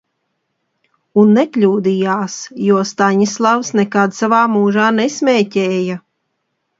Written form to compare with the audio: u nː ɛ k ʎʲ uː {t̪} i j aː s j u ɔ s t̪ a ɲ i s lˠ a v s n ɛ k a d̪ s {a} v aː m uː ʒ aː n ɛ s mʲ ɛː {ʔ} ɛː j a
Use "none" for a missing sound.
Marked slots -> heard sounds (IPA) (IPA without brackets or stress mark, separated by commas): d̪, a, c